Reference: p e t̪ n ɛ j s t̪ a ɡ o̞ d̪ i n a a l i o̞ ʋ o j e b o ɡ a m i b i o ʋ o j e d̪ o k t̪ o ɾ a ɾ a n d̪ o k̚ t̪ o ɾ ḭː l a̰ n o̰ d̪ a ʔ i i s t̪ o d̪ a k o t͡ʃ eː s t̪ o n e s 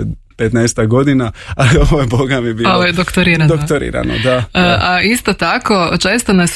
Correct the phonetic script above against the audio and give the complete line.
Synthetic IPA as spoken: p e t̪ n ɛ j s t̪ a ɡ o̞ d̪ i n a a l i o̞ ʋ o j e b o ɡ a m i b i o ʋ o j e d̪ o k t̪ o ɾ i ɾ a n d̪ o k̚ t̪ o ɾ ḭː ɾ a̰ n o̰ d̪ a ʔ a i s t̪ o t̪ a k o t͡ʃ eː s t̪ o n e s